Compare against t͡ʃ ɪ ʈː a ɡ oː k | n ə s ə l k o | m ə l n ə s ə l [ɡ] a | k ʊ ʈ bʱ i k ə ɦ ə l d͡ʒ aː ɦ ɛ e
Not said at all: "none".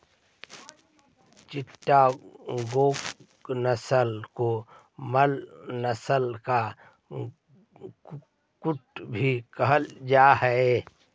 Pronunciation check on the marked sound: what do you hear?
k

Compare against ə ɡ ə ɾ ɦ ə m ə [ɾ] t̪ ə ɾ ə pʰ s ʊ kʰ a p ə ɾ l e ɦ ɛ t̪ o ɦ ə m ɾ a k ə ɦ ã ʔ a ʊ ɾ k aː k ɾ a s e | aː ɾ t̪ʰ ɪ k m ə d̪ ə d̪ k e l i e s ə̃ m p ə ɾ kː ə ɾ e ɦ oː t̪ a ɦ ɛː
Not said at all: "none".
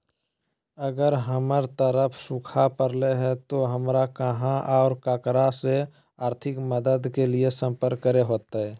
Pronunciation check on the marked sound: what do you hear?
ɾ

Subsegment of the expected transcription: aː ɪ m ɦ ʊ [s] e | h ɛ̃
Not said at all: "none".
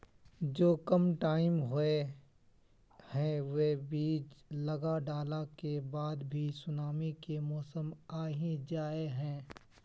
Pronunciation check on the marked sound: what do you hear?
none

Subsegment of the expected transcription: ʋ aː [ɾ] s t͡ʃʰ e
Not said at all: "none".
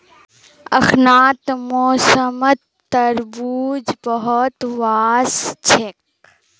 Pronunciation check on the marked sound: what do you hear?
none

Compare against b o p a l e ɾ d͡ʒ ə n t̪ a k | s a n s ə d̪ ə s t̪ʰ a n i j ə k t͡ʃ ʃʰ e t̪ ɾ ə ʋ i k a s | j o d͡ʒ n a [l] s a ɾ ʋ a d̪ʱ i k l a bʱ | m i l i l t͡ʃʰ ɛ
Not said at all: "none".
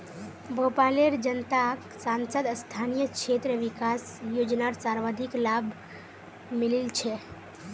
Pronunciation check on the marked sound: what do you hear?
ɾ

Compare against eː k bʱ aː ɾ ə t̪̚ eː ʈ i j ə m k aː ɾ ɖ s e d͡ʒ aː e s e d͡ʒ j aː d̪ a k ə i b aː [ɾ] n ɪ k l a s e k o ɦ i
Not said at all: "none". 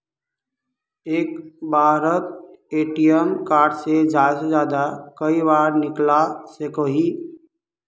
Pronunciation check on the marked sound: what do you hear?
ɾ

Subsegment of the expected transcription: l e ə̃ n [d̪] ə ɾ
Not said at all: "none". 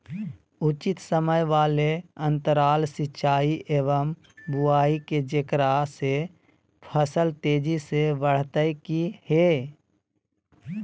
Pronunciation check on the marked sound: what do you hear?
t̪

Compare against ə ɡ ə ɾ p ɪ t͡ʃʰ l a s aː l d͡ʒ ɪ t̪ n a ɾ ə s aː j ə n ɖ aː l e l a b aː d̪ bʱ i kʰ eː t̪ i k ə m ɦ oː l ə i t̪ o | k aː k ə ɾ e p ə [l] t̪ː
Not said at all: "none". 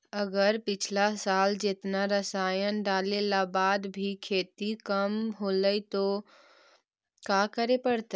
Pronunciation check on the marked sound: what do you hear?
ɽ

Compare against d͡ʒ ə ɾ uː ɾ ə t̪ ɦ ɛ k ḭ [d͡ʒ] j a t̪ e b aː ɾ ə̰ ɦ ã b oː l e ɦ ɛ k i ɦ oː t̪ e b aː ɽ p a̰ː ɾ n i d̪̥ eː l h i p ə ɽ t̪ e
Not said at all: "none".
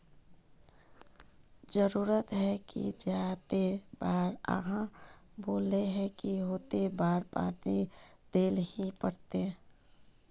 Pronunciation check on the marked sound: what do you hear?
d͡ʒ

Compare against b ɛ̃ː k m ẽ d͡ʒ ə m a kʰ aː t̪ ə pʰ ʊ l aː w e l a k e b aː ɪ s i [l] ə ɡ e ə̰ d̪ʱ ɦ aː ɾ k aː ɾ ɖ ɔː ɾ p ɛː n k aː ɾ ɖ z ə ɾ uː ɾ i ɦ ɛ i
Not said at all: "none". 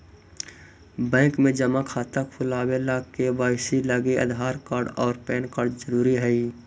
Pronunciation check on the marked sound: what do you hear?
l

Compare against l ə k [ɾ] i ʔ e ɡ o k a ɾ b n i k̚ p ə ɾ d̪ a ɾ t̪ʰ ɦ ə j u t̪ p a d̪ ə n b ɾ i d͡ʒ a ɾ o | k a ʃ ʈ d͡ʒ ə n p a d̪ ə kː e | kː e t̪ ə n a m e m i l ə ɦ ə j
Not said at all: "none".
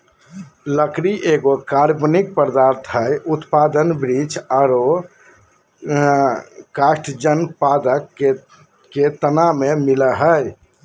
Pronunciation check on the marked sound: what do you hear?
ɾ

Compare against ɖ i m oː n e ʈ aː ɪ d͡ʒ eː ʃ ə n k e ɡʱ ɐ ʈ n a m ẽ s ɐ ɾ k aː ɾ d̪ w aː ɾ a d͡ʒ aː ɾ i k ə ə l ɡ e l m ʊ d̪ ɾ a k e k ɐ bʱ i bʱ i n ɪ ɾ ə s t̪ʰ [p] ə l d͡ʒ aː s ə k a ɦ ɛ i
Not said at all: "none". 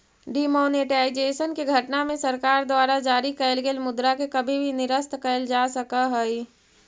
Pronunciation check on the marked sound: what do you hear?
k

